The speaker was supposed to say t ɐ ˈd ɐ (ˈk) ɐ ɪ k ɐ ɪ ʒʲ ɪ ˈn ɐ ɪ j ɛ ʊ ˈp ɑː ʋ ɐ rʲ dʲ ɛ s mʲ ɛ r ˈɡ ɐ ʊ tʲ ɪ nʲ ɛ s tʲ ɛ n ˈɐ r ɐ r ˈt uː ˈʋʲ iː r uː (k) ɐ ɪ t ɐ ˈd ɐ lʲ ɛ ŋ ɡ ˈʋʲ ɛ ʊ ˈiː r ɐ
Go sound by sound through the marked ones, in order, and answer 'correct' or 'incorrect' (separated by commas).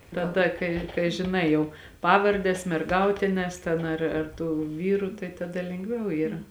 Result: correct, incorrect